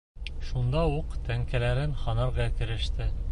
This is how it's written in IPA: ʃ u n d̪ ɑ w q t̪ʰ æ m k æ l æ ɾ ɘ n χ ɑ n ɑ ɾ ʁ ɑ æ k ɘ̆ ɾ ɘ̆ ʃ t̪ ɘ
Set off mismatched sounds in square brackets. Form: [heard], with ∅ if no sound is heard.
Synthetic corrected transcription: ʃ u n d̪ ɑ [u] q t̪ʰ æ [ŋ] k æ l æ ɾ ɘ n χ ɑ n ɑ ɾ ʁ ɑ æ k ɘ̆ ɾ ɘ̆ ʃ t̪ ɘ